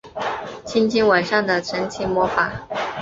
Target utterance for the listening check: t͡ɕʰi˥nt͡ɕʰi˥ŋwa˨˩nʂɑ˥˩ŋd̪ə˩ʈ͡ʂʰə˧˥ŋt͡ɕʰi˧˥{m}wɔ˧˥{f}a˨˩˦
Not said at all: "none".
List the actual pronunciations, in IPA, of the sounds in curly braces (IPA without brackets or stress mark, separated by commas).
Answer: m, f